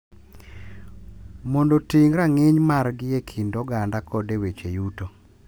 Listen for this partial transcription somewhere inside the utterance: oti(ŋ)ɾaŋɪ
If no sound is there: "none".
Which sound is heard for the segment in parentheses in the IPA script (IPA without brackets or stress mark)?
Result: ŋ